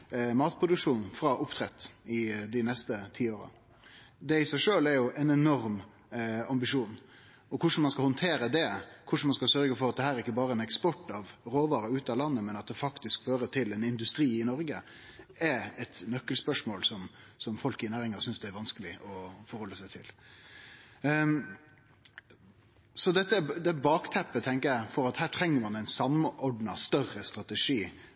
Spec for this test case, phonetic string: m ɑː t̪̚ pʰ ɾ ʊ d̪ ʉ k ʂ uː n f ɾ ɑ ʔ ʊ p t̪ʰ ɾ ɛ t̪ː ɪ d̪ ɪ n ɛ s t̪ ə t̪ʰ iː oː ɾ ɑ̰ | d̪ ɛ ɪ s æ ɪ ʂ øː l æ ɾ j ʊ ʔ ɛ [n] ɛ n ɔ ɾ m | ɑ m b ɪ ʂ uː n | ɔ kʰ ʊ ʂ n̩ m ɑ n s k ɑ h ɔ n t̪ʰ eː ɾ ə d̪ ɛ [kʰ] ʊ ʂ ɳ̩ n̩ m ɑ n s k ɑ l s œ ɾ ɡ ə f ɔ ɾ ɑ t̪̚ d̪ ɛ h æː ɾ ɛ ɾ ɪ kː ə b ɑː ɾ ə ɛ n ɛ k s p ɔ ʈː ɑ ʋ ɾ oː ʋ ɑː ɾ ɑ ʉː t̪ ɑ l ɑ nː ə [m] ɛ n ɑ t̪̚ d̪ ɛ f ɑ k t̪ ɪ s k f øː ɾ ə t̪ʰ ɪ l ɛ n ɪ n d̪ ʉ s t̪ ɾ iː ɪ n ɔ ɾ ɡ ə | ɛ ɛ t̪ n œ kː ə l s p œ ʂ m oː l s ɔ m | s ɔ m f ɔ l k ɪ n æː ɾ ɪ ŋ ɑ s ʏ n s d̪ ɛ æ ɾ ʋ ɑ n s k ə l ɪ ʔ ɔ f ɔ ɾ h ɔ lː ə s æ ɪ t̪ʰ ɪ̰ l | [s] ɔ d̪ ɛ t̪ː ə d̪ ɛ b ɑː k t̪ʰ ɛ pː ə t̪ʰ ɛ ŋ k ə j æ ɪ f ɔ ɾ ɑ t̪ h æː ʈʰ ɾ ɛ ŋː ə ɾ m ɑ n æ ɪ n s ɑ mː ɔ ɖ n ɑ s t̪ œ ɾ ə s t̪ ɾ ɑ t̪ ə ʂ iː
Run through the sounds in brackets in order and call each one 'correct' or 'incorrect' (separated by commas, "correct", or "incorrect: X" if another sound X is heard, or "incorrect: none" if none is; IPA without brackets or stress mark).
correct, correct, correct, correct